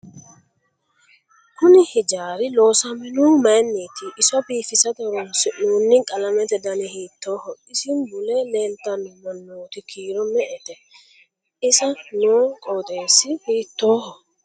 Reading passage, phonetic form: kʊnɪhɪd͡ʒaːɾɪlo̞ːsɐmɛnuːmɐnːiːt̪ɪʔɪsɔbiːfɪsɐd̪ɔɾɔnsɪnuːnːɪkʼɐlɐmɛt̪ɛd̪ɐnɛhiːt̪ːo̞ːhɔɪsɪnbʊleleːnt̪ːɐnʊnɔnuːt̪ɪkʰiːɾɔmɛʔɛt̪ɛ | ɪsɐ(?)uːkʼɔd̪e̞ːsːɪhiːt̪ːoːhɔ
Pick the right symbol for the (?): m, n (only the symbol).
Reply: n